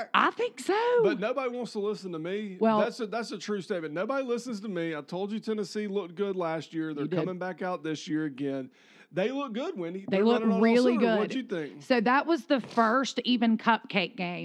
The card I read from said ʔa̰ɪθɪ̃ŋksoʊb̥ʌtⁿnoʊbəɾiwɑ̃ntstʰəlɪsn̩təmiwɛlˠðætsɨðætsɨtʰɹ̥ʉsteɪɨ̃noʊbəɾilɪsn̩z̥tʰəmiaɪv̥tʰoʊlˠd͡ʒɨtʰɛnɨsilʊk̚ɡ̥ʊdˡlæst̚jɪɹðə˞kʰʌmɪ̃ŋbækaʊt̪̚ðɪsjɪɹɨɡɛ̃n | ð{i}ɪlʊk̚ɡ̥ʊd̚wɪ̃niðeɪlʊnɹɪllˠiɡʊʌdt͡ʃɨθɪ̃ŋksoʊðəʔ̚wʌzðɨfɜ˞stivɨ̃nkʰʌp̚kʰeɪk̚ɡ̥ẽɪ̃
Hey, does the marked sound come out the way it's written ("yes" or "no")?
no